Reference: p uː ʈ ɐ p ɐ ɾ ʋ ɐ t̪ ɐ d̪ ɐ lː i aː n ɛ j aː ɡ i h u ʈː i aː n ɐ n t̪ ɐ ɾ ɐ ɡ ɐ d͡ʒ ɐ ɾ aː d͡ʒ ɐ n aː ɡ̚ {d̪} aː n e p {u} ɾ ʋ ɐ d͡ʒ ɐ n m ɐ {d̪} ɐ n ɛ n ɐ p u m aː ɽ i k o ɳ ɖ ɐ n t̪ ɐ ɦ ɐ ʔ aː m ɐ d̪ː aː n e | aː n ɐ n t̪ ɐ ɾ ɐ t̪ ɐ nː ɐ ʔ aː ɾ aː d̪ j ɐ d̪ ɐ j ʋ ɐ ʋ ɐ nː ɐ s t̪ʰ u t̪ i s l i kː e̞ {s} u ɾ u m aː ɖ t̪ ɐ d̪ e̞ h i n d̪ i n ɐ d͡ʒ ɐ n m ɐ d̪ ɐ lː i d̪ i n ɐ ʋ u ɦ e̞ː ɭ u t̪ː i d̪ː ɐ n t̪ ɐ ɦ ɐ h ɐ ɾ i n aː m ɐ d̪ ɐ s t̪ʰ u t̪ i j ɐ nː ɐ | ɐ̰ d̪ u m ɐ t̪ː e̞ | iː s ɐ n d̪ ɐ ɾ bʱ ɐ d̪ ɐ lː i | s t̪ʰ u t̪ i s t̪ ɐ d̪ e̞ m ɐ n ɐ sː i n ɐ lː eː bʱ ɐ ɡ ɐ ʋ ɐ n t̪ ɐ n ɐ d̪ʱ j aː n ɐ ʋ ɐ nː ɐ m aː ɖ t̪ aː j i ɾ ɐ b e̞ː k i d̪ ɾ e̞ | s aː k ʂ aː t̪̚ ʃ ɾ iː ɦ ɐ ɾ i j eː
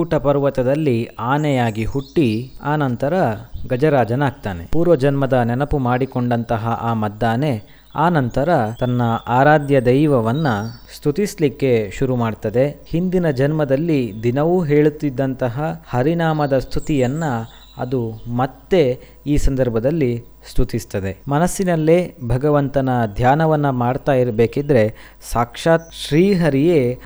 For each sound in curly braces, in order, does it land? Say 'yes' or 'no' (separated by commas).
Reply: no, no, yes, no